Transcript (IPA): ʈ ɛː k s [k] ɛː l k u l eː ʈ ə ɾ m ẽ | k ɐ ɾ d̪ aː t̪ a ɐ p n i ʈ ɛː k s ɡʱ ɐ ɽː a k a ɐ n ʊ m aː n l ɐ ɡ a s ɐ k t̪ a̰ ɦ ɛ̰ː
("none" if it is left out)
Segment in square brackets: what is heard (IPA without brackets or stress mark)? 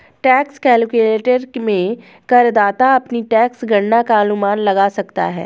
k